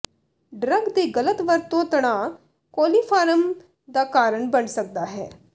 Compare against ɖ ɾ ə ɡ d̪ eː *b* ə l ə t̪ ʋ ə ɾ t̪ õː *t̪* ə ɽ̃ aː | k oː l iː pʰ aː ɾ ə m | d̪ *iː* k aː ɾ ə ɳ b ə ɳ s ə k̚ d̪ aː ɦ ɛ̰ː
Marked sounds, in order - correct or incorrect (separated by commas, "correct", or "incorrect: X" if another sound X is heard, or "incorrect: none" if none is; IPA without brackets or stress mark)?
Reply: incorrect: ɡ, correct, incorrect: aː